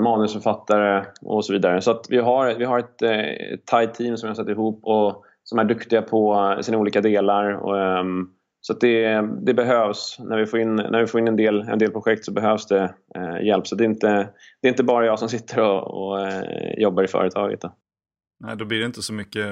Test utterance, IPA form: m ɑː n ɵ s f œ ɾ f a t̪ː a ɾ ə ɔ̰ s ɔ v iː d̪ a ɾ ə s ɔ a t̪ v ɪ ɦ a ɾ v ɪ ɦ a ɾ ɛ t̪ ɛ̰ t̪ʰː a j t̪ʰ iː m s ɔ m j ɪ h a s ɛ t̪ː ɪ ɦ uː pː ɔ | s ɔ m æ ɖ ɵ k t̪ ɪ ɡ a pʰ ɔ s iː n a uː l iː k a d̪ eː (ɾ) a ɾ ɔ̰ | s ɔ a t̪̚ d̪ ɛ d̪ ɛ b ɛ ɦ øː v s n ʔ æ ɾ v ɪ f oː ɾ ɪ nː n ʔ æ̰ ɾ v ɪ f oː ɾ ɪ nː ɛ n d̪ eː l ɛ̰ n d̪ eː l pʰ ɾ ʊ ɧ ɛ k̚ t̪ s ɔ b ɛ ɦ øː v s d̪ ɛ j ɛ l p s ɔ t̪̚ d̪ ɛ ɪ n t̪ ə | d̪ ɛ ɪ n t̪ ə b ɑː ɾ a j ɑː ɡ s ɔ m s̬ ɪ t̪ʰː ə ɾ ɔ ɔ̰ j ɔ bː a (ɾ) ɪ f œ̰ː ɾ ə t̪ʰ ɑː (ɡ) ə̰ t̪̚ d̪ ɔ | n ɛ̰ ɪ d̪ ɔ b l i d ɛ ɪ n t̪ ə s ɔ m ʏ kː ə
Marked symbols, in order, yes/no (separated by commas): no, yes, yes